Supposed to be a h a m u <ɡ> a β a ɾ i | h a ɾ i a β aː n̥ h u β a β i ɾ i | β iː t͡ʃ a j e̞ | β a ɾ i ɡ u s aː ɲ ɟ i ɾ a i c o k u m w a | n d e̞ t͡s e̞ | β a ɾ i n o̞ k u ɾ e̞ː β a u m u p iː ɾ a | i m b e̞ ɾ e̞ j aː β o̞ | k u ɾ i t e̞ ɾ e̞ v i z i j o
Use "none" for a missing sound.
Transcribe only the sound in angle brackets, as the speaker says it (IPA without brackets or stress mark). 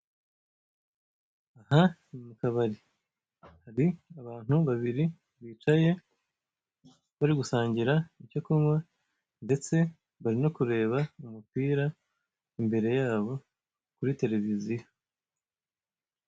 k